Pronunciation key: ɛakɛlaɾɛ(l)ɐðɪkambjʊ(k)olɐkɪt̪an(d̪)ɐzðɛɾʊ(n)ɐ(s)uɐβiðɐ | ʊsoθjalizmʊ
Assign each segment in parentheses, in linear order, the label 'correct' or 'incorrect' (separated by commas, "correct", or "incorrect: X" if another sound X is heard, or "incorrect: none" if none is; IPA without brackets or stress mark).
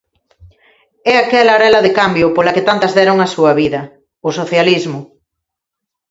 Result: correct, incorrect: p, incorrect: t̪, incorrect: ŋ, correct